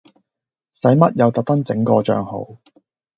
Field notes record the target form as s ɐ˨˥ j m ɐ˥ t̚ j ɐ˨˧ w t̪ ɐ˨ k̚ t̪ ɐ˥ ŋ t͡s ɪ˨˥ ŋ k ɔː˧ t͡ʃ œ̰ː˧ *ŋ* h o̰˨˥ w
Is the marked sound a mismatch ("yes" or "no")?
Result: no